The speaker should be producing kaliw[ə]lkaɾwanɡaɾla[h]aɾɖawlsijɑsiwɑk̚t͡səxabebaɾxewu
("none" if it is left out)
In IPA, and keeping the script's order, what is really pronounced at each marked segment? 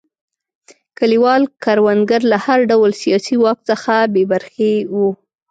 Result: ɑ, h

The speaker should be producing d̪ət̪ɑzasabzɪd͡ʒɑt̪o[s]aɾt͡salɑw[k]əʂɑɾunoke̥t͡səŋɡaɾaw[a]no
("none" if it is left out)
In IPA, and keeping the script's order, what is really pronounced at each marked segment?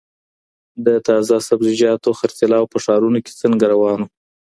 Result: x, p, ɑ

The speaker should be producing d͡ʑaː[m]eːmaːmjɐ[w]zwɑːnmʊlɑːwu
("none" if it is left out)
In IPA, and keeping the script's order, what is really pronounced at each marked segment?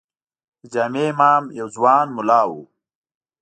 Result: m, w

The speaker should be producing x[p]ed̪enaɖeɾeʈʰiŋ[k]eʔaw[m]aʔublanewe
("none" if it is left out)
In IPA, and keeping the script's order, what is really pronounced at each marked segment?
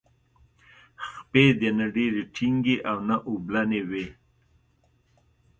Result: p, ɡ, n

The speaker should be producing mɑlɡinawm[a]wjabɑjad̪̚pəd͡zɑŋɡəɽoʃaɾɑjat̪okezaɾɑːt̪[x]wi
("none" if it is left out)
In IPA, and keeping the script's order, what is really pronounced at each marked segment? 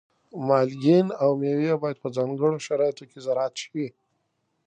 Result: e, ʃ

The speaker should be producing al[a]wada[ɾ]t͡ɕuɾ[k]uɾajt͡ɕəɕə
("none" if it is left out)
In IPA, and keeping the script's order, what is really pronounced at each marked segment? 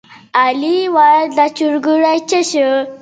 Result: i, none, ɡ

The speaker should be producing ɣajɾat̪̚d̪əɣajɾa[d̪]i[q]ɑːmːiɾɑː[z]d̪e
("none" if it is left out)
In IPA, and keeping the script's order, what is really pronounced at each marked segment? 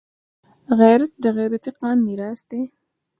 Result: t̪, q, s

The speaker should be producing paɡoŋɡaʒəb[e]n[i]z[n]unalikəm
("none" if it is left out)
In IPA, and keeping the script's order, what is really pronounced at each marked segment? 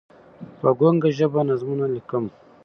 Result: a, a, m

